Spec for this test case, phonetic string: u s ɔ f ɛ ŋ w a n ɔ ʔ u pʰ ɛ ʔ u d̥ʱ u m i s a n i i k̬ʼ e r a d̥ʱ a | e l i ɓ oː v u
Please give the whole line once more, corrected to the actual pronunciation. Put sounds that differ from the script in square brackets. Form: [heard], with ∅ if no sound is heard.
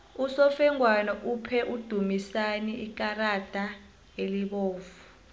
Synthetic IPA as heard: u s ɔ f ɛ ŋ w a n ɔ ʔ u pʰ ɛ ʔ u d̥ʱ u m i s a n i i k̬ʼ [a] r a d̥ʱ a | e l i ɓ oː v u